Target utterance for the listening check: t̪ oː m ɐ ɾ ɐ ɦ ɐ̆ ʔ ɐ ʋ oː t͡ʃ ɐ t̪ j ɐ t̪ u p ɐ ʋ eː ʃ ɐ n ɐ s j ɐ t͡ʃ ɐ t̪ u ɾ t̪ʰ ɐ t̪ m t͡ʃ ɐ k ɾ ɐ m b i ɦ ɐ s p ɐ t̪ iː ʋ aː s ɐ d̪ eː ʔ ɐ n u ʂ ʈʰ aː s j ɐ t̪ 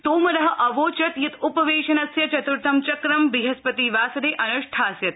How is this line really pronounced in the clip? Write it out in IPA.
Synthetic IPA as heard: t̪ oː m ɐ ɾ ɐ ɦ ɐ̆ ʔ ɐ ʋ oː t͡ʃ ɐ t̪ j ɐ t̪ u p ɐ ʋ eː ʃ ɐ n ɐ s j ɐ t͡ʃ ɐ t̪ u ɾ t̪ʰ ɐ m t͡ʃ ɐ k ɾ ɐ m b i ɦ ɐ s p ɐ t̪ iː ʋ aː s ɐ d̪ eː ʔ ɐ n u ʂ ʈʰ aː s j ɐ t̪